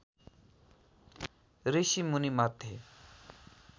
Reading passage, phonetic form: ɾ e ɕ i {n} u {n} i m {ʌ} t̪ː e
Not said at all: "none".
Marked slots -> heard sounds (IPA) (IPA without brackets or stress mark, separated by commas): m, n, a